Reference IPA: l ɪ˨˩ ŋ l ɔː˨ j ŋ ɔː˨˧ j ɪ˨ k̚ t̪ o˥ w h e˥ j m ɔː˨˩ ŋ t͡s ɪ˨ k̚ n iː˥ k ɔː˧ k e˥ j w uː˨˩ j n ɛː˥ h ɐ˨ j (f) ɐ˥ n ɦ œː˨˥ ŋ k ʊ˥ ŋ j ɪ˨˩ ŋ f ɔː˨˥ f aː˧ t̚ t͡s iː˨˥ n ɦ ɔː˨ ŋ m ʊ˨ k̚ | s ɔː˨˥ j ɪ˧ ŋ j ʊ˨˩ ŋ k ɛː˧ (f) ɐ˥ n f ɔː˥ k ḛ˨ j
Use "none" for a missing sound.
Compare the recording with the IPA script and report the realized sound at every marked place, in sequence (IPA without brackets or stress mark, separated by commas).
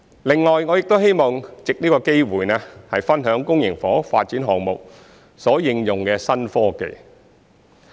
f, s